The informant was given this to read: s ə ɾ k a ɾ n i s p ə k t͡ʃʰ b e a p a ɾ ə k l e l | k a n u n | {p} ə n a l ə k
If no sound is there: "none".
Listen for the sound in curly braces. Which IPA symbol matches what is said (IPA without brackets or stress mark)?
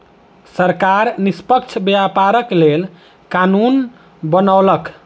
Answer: b